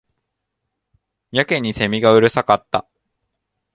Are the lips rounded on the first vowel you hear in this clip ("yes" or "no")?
no